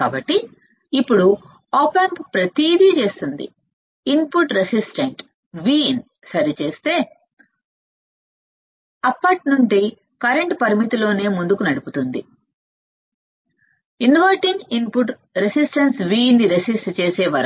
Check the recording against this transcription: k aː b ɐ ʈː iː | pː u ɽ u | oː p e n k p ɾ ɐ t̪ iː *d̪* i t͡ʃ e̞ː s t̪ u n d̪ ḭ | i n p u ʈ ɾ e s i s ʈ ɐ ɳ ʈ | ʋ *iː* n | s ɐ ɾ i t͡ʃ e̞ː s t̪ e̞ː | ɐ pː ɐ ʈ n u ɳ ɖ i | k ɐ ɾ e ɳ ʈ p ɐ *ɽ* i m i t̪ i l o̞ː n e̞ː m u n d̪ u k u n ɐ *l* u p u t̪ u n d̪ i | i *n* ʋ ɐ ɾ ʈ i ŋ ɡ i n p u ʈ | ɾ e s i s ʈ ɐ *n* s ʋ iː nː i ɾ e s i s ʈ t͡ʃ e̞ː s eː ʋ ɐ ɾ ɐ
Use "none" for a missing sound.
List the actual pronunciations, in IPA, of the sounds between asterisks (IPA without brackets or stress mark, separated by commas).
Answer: d̪, iː, ɾ, ɽ, n, n